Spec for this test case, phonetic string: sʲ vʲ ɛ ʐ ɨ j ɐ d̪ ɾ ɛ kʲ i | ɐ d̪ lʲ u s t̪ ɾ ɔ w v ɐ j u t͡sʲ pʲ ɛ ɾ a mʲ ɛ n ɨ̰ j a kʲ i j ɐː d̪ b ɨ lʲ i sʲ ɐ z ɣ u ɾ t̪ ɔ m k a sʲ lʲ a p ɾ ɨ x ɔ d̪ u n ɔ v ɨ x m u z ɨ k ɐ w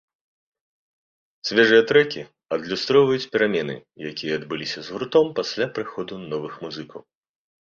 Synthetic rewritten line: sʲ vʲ ɛ ʐ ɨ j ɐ t̪ ɾ ɛ kʲ i | ɐ d̪ lʲ u s t̪ ɾ ɔ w v ɐ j u t͡sʲ pʲ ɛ ɾ a mʲ ɛ n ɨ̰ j a kʲ i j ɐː d̪ b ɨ lʲ i sʲ ɐ z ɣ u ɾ t̪ ɔ m p a sʲ lʲ a p ɾ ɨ x ɔ d̪ u n ɔ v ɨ x m u z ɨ k ɐ w